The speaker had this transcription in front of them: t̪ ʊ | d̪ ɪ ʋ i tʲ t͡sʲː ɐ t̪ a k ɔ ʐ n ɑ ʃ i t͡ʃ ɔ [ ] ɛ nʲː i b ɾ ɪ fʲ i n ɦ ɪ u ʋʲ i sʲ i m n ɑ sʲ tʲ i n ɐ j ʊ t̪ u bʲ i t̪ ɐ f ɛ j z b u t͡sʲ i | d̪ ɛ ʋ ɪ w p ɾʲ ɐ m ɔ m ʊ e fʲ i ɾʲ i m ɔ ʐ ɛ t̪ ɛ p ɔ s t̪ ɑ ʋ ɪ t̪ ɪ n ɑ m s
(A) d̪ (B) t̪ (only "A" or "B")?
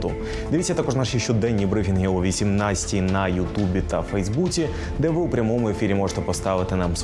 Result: A